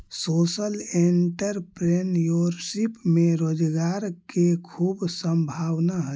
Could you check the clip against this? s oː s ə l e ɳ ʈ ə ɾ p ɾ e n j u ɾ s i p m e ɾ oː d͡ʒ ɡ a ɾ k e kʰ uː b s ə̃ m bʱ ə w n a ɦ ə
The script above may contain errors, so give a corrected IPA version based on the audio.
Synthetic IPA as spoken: s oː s ə l e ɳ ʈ ə ɾ p ɾ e n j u ɾ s i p m e ɾ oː d͡ʒ ɡ a ɾ k e kʰ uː b s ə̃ m bʱ a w n a ɦ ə